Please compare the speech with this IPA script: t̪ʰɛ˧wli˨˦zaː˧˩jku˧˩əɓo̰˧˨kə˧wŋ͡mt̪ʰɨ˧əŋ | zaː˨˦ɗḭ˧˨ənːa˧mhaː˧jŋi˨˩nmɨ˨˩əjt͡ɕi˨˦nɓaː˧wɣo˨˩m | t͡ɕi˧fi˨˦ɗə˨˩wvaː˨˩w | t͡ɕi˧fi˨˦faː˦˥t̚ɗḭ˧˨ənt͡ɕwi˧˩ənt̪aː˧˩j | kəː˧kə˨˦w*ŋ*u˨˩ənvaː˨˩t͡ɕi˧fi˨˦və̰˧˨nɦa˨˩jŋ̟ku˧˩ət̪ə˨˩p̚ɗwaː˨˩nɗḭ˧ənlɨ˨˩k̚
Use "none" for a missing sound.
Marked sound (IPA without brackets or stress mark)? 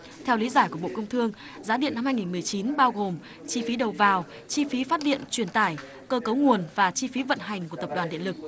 ŋ